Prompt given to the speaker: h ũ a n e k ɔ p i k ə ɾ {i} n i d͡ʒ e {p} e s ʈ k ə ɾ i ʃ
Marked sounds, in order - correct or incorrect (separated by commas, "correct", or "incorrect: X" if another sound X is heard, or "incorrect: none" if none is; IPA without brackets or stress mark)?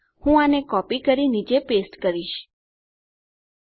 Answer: correct, correct